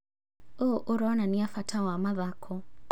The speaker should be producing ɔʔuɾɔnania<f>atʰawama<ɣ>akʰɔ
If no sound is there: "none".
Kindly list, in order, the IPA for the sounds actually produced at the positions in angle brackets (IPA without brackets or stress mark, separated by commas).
f, ð